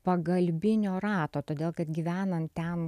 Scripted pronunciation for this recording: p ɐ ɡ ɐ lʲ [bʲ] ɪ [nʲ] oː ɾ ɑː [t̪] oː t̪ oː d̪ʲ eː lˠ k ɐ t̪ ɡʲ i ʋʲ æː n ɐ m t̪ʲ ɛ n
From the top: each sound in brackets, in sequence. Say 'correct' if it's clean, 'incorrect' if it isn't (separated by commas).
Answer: correct, correct, correct